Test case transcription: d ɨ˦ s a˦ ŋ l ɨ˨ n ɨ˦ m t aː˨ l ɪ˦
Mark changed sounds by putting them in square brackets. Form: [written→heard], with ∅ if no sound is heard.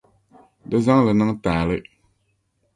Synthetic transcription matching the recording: d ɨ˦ [s→z] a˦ ŋ l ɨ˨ n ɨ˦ [m→ŋ] t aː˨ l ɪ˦